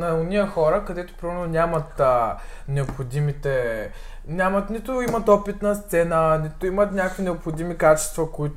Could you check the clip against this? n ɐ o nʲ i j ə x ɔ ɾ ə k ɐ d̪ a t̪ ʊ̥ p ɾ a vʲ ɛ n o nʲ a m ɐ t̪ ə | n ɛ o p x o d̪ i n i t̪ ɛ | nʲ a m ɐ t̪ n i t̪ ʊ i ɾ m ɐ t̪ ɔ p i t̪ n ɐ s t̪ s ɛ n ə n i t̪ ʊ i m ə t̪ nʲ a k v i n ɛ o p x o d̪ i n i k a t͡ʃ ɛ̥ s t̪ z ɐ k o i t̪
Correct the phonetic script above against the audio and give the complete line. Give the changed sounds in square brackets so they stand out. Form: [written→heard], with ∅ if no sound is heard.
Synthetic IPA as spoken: n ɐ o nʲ i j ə x ɔ ɾ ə k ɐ d̪ [a→ɛ] t̪ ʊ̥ p ɾ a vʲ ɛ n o nʲ a m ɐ t̪ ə | n ɛ o p x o d̪ i [n→m] i t̪ ɛ | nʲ a m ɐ t̪ n i t̪ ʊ i [ɾ→∅] m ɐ t̪ ɔ p i t̪ n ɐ s t̪ s ɛ n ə n i t̪ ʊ i m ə t̪ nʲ a k v i n ɛ o p x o d̪ i [n→m] i k a t͡ʃ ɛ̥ s t̪ [z→v] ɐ k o i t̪